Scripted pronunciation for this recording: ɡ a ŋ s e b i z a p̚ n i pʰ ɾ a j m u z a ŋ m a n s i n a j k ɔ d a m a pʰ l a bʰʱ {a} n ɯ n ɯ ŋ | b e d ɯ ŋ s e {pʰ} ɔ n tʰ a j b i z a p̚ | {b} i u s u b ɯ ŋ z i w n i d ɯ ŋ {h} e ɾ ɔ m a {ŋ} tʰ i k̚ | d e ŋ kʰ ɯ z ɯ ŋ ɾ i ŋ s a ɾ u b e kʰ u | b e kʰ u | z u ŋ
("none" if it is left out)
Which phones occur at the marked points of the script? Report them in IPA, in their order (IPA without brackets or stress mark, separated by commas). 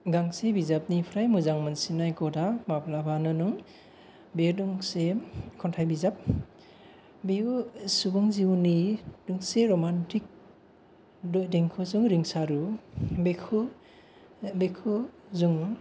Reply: a, kʰ, b, s, n